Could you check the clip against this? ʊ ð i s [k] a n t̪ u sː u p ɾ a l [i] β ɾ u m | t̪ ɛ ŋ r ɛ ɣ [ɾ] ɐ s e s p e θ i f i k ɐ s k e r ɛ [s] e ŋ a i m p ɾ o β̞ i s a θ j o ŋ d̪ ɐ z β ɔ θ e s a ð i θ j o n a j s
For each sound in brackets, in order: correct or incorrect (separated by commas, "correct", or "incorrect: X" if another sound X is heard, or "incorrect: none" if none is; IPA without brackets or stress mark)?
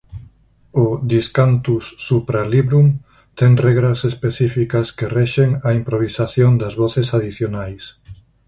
correct, correct, correct, incorrect: ʃ